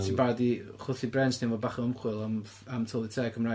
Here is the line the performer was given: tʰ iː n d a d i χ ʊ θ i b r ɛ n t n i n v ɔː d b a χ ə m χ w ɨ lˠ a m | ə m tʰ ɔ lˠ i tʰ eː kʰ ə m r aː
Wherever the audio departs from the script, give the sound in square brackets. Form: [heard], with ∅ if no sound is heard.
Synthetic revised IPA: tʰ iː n [b] a d i χ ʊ θ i b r ɛ n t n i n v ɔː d b a χ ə m χ w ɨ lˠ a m | [a] m tʰ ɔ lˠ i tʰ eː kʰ ə m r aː